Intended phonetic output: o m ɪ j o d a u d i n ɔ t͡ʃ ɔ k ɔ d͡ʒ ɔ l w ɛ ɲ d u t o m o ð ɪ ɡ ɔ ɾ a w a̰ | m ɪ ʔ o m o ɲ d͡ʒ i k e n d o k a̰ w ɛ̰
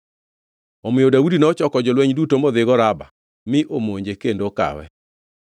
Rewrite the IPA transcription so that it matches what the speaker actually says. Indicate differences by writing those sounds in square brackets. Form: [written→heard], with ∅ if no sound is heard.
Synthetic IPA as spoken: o m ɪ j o d a u d i n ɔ t͡ʃ ɔ k ɔ d͡ʒ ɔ l w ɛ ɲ d u t o m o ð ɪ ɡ ɔ ɾ a [w→b] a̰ | m ɪ ʔ o m o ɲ d͡ʒ [i→e] k e n d o k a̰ w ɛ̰